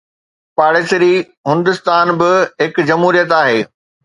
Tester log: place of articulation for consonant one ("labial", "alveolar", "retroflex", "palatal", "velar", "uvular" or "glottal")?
labial